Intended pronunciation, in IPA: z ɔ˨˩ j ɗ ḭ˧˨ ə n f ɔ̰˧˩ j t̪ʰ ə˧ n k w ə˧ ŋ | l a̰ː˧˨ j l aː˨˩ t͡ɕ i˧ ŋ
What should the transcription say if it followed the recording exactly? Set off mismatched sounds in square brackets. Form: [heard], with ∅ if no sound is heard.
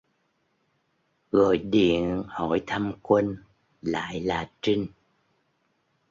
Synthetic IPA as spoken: [ɣ] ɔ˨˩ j ɗ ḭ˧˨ ə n [h] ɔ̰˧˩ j t̪ʰ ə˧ [m] k w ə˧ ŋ | l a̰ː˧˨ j l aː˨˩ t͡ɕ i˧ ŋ